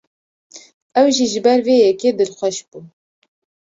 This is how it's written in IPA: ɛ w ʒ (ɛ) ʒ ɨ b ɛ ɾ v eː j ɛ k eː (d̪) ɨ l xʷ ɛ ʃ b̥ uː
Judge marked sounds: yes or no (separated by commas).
no, yes